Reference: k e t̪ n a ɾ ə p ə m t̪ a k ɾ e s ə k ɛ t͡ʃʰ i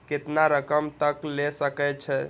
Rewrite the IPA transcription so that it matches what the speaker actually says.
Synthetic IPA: k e t̪ n a ɾ ə k ə m t̪ ə k l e s ə k ɛ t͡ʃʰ ɛ